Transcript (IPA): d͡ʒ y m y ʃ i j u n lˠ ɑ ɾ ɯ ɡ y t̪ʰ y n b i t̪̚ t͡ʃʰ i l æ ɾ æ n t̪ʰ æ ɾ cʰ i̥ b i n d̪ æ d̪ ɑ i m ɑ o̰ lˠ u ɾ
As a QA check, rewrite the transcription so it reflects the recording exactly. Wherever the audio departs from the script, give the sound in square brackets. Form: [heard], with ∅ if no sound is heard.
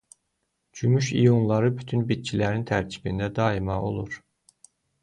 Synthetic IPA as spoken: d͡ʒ y m y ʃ i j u n lˠ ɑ ɾ ɯ [b] y t̪ʰ y n b i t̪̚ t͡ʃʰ i l æ ɾ [i] n t̪ʰ æ ɾ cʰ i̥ b i n d̪ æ d̪ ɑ i m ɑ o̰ lˠ u ɾ